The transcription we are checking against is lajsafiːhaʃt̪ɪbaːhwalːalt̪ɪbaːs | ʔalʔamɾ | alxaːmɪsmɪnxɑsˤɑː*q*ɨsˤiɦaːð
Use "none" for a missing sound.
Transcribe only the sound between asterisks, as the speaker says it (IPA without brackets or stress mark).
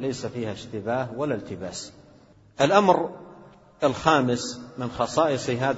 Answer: ʔ